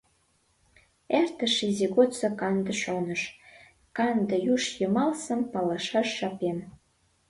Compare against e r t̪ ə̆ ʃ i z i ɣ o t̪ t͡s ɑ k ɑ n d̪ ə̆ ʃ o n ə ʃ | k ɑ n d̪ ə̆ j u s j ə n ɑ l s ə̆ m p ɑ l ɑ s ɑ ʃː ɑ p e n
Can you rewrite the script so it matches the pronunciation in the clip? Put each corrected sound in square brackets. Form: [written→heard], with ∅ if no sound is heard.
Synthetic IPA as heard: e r t̪ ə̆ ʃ i z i ɣ o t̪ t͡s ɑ k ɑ n d̪ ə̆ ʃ o n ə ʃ | k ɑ n d̪ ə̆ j u [s→ʃ] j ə [n→m] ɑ l s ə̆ m p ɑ l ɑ [s→ʃ] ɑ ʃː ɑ p e n